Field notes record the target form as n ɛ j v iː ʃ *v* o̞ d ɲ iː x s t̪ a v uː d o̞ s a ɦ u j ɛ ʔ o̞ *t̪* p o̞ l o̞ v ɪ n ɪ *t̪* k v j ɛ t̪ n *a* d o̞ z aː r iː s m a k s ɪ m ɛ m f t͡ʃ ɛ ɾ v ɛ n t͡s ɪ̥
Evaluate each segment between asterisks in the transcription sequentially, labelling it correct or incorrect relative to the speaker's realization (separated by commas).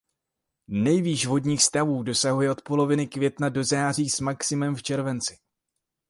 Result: correct, correct, incorrect, correct